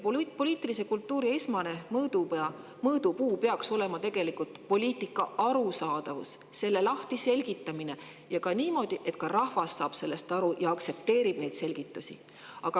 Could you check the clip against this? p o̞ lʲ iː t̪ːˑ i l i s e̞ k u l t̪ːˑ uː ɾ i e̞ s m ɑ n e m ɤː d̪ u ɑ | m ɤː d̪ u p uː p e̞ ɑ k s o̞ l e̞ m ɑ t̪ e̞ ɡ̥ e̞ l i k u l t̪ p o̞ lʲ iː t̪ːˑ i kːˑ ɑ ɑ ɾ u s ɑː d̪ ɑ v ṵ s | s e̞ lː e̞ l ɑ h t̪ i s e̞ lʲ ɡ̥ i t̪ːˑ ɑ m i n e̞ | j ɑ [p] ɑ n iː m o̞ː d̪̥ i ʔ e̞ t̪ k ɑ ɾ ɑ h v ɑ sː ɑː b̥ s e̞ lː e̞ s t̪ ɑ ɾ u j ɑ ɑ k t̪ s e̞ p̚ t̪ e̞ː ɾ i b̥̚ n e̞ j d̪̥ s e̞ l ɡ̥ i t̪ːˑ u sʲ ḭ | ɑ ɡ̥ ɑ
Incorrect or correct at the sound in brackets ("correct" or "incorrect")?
incorrect